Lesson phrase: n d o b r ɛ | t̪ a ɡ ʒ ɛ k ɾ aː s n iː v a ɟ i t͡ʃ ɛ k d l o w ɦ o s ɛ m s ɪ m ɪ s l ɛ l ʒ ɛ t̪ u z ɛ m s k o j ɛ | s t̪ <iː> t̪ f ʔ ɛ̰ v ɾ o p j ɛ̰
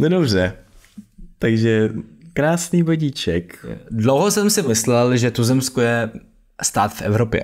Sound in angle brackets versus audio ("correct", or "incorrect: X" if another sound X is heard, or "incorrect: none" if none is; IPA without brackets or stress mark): incorrect: aː